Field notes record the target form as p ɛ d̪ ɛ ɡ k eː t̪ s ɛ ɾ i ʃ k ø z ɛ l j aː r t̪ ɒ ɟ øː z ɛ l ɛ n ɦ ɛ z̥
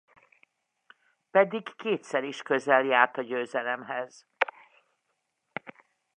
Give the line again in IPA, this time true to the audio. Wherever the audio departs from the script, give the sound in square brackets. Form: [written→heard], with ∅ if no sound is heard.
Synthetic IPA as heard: p ɛ d̪ [ɛ→i] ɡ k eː t̪ s ɛ ɾ i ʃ k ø z ɛ l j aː r t̪ ɒ ɟ øː z ɛ l ɛ [n→m] ɦ ɛ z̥